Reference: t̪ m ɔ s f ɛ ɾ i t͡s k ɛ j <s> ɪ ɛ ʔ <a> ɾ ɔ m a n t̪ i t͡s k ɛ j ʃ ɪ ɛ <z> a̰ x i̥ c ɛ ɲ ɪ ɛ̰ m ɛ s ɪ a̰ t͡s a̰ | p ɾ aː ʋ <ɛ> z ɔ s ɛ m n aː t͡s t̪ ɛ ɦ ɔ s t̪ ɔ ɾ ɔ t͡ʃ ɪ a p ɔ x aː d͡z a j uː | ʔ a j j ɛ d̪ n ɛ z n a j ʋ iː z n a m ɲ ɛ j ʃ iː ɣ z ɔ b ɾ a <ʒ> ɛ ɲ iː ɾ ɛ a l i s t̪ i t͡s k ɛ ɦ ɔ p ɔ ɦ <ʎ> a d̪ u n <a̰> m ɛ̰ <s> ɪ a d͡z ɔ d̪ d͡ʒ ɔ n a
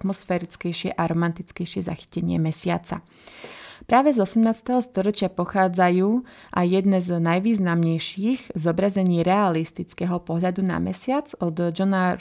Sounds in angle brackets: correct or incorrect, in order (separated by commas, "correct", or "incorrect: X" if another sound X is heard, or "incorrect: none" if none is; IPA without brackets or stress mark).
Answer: incorrect: ʃ, correct, correct, correct, incorrect: z, correct, correct, correct